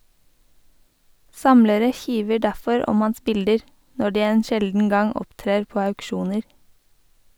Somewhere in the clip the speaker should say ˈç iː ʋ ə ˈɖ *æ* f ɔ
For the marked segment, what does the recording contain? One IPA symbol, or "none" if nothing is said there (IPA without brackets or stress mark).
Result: æ